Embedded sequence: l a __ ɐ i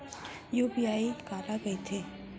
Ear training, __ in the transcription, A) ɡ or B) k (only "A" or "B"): A